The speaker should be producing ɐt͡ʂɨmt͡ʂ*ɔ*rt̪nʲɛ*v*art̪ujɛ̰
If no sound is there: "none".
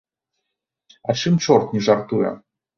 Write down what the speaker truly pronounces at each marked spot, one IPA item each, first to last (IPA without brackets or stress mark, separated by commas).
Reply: ɔ, ʐ